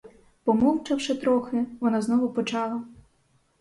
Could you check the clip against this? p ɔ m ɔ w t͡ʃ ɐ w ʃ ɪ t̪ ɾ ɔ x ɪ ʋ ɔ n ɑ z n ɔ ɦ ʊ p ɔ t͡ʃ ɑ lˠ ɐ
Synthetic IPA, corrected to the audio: p ɔ m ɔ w t͡ʃ ɐ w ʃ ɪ t̪ ɾ ɔ x ɪ ʋ ɔ n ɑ z n ɔ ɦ ʊ p ɔ t͡ʃ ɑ lˠ ɐ

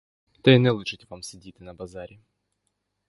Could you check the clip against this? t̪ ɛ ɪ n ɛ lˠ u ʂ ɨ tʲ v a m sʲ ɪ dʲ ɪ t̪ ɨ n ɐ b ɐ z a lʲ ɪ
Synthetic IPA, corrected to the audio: t̪ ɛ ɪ n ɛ lˠ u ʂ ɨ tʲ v a m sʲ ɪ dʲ i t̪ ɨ n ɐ b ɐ z a ɾʲ ɪ

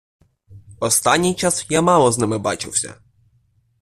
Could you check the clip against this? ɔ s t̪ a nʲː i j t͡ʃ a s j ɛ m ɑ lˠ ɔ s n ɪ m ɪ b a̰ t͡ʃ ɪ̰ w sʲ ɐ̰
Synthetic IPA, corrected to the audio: ɔ s t̪ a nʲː i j t͡ʃ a s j a m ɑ lˠ ɔ z n ɪ m ɪ b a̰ t͡ʃ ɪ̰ w sʲ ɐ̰

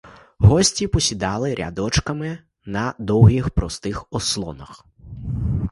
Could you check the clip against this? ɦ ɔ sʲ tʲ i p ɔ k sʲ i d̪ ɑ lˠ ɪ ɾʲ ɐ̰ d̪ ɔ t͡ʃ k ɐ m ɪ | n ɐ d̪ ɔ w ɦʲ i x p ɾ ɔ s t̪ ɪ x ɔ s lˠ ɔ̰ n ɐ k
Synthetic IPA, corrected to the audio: ɦ ɔ sʲ tʲ i p ɔ sʲ i d̪ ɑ lˠ ɪ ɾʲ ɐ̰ d̪ ɔ t͡ʃ k ɐ m ɪ | n ɐ d̪ ɔ w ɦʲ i x p ɾ ɔ s t̪ ɪ x ɔ s lˠ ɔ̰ n ɐ x

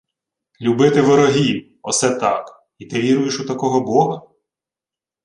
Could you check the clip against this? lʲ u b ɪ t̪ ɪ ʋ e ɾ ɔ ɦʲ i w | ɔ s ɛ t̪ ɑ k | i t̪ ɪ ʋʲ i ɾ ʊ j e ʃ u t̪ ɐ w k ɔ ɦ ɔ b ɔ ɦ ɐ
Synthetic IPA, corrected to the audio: lʲ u b ɪ t̪ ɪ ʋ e ɾ ɔ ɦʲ i w | ɔ s ɛ t̪ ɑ k | i t̪ ɪ ʋʲ i ɾ ʊ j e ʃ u t̪ ɐ k ɔ ɦ ɔ b ɔ ɦ ɐ

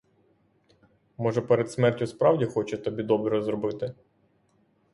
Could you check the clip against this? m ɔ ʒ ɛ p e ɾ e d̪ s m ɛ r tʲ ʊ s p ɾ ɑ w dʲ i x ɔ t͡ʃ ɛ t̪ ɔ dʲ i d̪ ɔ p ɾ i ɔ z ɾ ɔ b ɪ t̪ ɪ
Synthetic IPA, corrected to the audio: m ɔ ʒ ɛ p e ɾ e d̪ s m ɛ r tʲ ʊ s p ɾ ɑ w dʲ i x ɔ t͡ʃ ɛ t̪ ɔ bʲ i d̪ ɔ b ɾ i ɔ z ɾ ɔ b ɪ t̪ ɪ

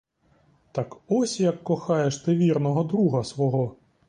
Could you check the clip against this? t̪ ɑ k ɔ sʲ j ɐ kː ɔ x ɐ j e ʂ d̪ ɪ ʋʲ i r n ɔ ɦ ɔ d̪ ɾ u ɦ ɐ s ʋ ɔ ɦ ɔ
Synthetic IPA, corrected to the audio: t̪ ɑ k ɔ sʲ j ɐ kː ɔ x ɑ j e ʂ t̪ ɪ ʋʲ i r n ɔ ɦ ɔ d̪ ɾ u ɦ ɐ s ʋ ɔ ɦ ɔ

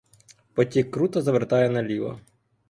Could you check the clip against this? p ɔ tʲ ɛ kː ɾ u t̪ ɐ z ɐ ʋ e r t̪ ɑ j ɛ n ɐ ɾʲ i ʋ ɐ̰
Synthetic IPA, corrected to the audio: p ɔ tʲ i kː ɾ u t̪ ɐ z ɐ ʋ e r t̪ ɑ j ɛ n ɐ lʲ i ʋ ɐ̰

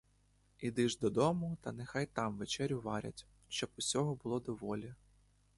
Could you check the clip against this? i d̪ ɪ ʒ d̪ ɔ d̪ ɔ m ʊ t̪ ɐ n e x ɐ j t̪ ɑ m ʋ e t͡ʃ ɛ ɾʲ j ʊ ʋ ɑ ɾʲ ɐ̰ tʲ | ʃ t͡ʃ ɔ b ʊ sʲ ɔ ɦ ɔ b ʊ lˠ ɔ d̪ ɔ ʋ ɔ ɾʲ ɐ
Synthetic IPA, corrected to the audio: i d̪ ɪ ʒ d̪ ɔ d̪ ɔ m ʊ t̪ ɐ n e x ɑ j t̪ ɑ m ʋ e t͡ʃ ɛ ɾʲ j ʊ ʋ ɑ ɾʲ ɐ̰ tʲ | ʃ t͡ʃ ɔ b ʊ sʲ ɔ ɦ ɔ b ʊ lˠ ɔ d̪ ɔ ʋ ɔ lʲ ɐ

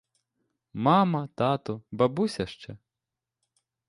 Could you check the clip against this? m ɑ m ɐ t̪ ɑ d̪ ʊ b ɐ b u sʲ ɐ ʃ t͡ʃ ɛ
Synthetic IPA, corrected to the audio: m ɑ m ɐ t̪ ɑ t̪ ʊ b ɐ b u sʲ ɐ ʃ t͡ʃ ɛ

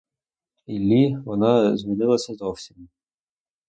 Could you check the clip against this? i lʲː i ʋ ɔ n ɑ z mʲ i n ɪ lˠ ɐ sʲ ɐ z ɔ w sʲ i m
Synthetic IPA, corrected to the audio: i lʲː i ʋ ɔ n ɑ z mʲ i n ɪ lˠ ɐ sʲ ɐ z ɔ w sʲ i m

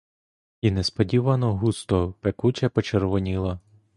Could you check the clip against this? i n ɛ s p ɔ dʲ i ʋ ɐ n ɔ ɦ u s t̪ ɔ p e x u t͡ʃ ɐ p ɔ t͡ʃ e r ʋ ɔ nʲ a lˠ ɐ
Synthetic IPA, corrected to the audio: i n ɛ s p ɔ dʲ i ʋ ɐ n ɔ ɦ u s t̪ ɔ p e k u t͡ʃ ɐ p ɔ t͡ʃ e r ʋ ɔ nʲ i lˠ ɐ

